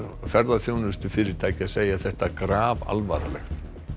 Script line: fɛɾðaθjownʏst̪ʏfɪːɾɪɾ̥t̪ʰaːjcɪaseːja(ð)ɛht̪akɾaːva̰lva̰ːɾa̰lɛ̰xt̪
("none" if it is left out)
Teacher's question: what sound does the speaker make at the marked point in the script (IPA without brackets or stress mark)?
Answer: θ